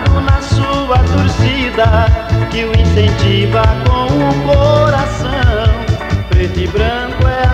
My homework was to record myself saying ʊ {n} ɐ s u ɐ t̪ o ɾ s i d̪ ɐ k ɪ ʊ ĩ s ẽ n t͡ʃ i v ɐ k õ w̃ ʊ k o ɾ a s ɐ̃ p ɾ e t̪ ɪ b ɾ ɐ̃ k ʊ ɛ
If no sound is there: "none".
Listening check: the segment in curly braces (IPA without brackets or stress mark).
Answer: n